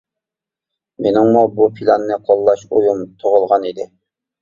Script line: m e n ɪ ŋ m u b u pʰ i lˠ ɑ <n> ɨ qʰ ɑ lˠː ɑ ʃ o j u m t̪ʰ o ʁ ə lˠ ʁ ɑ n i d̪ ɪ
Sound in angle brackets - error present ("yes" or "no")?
yes